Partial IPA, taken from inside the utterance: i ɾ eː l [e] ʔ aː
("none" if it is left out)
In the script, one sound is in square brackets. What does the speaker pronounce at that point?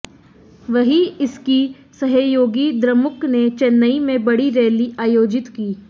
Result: i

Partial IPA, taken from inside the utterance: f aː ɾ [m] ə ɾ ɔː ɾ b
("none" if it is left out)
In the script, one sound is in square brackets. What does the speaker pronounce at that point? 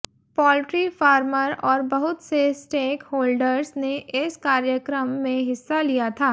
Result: m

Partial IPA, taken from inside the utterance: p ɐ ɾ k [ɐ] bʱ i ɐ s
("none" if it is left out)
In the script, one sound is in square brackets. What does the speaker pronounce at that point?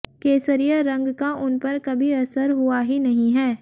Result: ɐ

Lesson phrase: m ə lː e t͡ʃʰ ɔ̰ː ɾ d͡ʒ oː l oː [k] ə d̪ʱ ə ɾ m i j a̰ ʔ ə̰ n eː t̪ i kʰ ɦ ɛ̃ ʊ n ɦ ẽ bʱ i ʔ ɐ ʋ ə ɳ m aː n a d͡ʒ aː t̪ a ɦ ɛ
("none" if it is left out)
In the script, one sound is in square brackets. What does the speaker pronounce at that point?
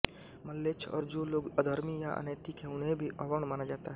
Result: ɡ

